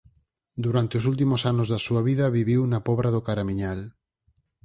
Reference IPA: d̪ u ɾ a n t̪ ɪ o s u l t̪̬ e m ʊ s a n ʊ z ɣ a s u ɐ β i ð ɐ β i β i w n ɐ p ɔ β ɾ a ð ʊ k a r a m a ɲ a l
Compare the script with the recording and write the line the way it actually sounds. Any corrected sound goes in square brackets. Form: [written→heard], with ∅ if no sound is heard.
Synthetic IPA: d̪ u ɾ a n t̪ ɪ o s u l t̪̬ [e→i] m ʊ s a n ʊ z [ɣ→ð] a s u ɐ β i ð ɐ β i β i w n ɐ p ɔ β ɾ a ð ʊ k a [r→ɾ] a m [a→i] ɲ a l

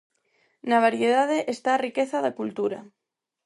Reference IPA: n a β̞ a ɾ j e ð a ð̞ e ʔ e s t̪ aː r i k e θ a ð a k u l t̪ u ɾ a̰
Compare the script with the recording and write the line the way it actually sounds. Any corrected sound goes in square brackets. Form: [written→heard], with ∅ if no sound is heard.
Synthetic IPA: n a β̞ a ɾ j e ð a ð̞ e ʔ e s t̪ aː r i k e θ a ð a k u l t̪ u ɾ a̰

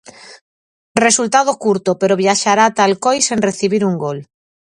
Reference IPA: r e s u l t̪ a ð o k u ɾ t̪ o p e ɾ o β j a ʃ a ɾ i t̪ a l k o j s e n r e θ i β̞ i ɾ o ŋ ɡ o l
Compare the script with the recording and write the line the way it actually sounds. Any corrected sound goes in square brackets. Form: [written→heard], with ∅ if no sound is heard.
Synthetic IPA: r e s u l t̪ a ð o k u ɾ t̪ o p e ɾ o β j a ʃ a ɾ [i→a] t̪ a l k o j s e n r e θ i β̞ i ɾ [o→u] ŋ ɡ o l

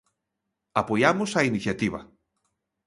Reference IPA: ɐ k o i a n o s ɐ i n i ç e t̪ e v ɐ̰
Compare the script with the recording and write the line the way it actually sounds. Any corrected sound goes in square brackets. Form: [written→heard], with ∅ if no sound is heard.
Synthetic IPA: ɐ [k→p] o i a [n→m] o s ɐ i n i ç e t̪ [e→i] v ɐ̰

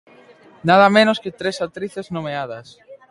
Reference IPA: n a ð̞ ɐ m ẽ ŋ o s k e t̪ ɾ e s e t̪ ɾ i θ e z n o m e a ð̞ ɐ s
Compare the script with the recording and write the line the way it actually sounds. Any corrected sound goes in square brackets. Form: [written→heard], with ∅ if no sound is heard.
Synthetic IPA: n a ð̞ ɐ m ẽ [ŋ→n] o s k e t̪ ɾ e s [e→a] t̪ ɾ i θ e z n o m e a ð̞ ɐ s

